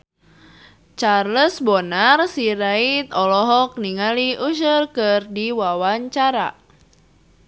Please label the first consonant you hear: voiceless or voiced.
voiceless